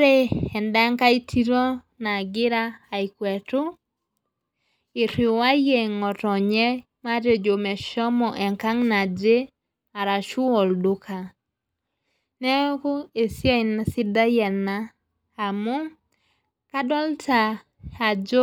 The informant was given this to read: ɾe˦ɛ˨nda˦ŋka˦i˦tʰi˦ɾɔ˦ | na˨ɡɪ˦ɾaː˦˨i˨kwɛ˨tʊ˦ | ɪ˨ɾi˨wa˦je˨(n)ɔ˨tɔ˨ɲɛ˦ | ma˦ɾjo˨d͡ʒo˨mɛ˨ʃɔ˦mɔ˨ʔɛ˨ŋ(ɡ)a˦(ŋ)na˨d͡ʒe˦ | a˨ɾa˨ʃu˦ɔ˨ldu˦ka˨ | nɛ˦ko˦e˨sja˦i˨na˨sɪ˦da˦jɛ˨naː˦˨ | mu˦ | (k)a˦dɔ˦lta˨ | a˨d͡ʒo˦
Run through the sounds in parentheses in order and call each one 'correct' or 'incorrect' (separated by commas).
incorrect, incorrect, correct, correct